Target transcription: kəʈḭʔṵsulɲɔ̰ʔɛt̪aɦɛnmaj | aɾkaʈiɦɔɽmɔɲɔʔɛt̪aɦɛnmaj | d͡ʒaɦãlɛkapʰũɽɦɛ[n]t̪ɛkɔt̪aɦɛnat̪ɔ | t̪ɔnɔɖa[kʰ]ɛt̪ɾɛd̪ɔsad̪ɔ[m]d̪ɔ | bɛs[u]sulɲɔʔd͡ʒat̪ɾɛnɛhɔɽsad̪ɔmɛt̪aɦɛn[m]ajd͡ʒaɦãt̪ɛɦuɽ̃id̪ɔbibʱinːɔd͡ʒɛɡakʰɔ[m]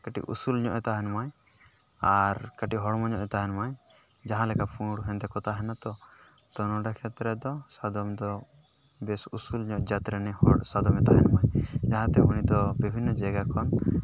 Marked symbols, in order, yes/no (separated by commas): yes, yes, yes, yes, yes, no